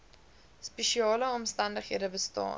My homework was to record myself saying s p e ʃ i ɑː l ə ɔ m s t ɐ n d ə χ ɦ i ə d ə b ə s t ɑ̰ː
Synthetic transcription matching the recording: s p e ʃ i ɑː l ə ɔ m s t ɐ n d ə χ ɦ i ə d ə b ə s t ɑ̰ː